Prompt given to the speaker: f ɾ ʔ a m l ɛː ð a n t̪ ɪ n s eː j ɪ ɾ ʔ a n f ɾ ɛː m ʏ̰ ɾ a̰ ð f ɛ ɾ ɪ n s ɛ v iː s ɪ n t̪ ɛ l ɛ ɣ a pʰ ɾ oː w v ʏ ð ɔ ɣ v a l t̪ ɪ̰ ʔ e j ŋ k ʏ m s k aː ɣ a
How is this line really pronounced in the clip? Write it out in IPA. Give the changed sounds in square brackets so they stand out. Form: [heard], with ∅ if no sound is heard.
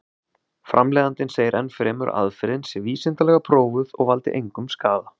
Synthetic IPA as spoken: f ɾ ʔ a m l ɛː ð a n t̪ ɪ n s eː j ɪ ɾ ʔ [ɛ] n f ɾ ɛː m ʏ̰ ɾ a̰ ð f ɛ ɾ ɪ n s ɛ v iː s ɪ n t̪ [a] l ɛ ɣ a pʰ ɾ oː w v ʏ ð ɔ ɣ v a l t̪ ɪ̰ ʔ e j ŋ k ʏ m s k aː [ð] a